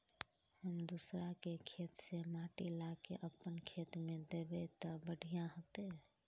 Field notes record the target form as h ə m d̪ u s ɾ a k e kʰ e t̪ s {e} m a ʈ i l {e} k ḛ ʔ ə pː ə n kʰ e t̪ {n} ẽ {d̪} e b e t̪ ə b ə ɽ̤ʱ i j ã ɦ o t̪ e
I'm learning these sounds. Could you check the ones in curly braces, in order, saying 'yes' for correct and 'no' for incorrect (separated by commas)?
yes, no, no, yes